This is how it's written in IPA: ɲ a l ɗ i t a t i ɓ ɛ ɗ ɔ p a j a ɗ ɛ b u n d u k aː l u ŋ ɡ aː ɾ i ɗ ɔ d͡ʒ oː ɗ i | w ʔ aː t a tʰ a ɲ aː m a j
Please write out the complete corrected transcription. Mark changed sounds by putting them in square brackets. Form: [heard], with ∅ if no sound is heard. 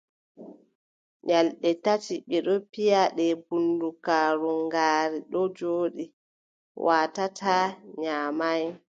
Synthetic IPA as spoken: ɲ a l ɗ [ɛ] t a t i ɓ ɛ ɗ ɔ p [i] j a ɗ ɛ b u n d u k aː [ɾ] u ŋ ɡ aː ɾ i ɗ ɔ d͡ʒ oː ɗ i | w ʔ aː t a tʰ a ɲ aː m a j